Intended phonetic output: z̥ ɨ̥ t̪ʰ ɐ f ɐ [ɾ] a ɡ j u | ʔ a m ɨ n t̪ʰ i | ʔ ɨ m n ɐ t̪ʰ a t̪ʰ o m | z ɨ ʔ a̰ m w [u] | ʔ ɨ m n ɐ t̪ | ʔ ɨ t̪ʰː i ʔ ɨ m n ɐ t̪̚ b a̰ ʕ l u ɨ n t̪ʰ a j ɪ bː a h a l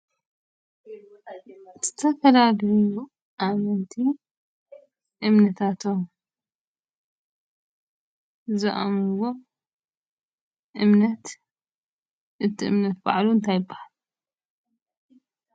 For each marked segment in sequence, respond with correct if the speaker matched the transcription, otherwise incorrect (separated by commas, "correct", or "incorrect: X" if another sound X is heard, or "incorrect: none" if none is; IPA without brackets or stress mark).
incorrect: l, incorrect: o